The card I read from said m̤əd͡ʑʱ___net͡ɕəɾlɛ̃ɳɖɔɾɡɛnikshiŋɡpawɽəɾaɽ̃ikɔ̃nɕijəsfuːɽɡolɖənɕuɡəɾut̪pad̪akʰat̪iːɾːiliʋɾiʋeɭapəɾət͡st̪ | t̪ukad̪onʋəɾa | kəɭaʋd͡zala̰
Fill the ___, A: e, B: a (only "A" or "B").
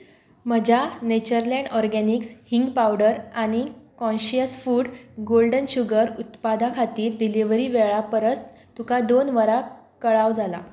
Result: B